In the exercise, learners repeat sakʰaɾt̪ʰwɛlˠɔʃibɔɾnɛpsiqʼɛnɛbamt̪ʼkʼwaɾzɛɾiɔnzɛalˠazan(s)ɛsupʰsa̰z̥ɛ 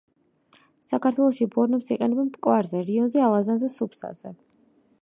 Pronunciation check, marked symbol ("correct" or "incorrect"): incorrect